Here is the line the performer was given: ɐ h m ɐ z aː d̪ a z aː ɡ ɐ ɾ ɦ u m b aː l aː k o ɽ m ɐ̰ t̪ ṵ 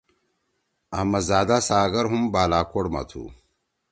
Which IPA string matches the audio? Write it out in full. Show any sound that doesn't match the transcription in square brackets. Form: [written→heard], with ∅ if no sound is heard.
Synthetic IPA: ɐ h m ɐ z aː d̪ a [z→s] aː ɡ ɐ ɾ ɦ u m b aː l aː k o ɽ m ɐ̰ [t̪→t̪ʰ] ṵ